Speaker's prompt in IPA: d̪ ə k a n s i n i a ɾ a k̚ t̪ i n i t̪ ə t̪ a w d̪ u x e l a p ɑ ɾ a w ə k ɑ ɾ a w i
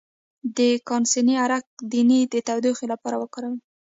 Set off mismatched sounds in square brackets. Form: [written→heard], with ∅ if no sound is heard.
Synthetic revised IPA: d̪ ə k [a→ɑ] n s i n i a ɾ a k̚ [t̪→d̪] i n i [t̪→d̪] ə t̪ a w d̪ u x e l a p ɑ ɾ a w ə k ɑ ɾ a w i